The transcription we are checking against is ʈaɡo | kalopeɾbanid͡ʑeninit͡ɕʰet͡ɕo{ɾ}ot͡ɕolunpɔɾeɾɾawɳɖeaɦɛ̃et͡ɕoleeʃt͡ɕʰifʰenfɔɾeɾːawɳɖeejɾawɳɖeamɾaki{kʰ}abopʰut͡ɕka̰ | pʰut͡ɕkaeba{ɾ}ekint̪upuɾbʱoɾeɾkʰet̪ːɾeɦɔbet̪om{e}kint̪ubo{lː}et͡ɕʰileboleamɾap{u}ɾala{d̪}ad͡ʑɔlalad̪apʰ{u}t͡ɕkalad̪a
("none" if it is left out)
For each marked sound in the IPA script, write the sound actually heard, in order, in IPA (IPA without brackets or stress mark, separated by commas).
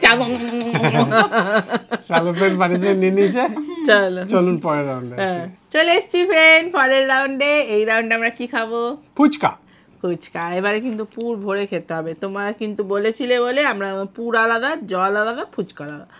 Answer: l, kʰ, ɾ, a, l, u, d̪, u